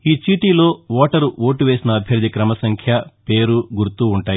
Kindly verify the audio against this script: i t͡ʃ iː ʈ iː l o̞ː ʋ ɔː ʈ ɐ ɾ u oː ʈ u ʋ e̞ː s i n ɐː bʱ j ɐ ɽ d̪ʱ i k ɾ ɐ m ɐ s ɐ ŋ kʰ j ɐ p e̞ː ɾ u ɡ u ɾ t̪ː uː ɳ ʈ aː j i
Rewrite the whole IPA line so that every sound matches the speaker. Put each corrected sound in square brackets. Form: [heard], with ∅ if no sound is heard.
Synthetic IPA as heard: [iː] t͡ʃ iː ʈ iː l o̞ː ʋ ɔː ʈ ɐ ɾ u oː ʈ u ʋ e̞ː s i n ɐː bʱ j ɐ [ɾ] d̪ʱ i k ɾ ɐ m ɐ s ɐ ŋ kʰ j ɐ p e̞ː ɾ u ɡ u ɾ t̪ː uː ɳ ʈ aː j i